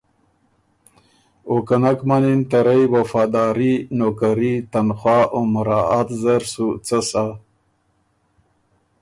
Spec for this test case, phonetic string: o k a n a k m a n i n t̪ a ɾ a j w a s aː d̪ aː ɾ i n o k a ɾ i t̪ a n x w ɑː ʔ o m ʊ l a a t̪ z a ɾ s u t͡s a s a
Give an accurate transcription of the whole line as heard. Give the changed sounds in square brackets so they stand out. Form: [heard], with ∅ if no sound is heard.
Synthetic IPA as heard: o k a n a k m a n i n t̪ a ɾ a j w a [f] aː d̪ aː ɾ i n o k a ɾ i t̪ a n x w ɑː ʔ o m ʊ [ɾ] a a t̪ z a ɾ s u t͡s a s a